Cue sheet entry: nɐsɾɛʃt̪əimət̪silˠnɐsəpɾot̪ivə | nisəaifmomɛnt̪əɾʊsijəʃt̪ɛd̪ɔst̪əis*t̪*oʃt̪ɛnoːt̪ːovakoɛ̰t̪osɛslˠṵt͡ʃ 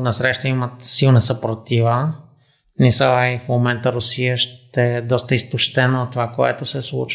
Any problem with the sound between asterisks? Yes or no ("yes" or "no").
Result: no